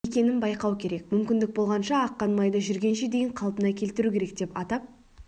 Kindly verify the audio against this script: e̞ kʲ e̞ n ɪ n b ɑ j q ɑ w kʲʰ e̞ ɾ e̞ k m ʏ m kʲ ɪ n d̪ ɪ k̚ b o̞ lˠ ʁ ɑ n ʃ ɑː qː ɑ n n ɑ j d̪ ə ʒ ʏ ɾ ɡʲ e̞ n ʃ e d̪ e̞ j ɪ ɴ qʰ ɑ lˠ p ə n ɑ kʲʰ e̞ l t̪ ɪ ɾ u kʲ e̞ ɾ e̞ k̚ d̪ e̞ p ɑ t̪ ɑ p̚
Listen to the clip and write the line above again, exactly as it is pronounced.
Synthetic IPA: e̞ kʲ e̞ n ɪ n b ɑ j q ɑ w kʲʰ e̞ ɾ e̞ k m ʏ m kʲ ɪ n d̪ ɪ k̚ b o̞ lˠ ʁ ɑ n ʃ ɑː qː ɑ n m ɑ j d̪ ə ʒ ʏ ɾ ɡʲ e̞ n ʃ e d̪ e̞ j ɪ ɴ qʰ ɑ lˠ p ə n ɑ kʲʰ e̞ l t̪ ɪ ɾ u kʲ e̞ ɾ e̞ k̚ d̪ e̞ p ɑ t̪ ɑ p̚